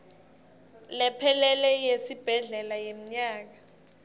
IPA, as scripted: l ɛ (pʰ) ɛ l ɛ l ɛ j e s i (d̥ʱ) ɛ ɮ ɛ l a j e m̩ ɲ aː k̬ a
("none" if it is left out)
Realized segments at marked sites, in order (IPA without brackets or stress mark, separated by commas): pʰ, b̥ʱ